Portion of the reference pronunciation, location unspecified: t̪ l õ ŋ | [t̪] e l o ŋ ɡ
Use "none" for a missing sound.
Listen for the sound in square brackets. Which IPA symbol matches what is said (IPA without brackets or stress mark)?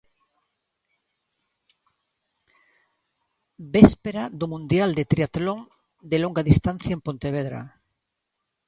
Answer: d̪